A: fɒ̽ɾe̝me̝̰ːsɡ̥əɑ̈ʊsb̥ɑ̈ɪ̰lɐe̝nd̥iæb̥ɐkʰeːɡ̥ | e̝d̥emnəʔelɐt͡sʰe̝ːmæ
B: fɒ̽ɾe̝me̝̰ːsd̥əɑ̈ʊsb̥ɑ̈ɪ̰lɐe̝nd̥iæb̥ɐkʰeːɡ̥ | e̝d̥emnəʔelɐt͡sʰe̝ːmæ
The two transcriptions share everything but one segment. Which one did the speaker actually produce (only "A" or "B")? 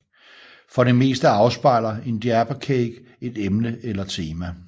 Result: B